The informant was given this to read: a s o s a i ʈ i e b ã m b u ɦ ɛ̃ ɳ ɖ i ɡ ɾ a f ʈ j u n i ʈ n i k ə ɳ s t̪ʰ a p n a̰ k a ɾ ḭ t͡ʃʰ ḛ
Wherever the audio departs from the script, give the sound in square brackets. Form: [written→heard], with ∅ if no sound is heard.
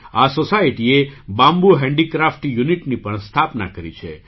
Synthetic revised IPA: a s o s a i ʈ i e b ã m b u ɦ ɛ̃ ɳ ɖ i [ɡ→k] ɾ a f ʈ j u n i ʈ n i [k→p] ə ɳ s t̪ʰ a p n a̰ k [a→ə] ɾ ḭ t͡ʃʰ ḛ